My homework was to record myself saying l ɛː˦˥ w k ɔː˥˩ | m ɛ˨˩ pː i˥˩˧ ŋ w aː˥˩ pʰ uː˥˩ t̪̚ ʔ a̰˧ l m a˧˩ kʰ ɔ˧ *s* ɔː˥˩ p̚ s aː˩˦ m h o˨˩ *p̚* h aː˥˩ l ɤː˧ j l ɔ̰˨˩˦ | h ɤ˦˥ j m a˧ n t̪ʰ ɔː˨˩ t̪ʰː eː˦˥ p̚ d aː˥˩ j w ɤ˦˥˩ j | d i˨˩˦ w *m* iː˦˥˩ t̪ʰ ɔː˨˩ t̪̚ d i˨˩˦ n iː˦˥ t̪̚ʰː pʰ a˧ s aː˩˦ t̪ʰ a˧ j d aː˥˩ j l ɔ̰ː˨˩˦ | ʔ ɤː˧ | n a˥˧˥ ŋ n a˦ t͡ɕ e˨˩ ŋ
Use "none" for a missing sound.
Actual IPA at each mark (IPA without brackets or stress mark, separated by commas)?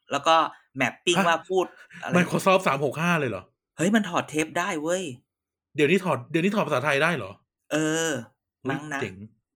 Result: s, k̚, n